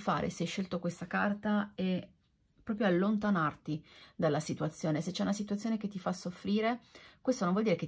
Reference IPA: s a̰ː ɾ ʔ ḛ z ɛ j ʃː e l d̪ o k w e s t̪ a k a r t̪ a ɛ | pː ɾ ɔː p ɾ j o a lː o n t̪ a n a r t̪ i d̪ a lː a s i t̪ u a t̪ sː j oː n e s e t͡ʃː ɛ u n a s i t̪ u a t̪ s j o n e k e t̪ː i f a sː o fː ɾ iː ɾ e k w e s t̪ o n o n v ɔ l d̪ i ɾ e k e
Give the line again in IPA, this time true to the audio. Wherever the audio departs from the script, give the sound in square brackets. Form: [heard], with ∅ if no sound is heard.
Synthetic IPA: [f] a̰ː ɾ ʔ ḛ [s] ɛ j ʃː e l [t̪] o k w e s t̪ a k a r t̪ a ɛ | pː ɾ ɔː p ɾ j o a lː o n t̪ a n a r t̪ i d̪ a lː a s i t̪ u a t̪ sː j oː n e s e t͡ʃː ɛ u n a s i t̪ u a t̪ s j o n e k e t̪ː i f a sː o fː ɾ iː ɾ e k w e s t̪ o n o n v ɔ l d̪ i ɾ e k e